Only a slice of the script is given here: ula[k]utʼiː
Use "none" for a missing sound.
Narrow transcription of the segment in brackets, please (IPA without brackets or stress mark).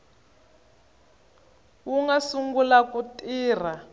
k